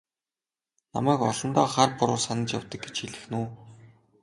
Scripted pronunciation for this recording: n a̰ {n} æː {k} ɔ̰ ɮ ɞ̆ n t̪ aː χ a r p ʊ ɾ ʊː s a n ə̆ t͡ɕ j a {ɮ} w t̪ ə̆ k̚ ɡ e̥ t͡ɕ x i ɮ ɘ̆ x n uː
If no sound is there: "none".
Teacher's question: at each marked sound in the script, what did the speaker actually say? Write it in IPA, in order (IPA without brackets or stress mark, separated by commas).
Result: m, k, none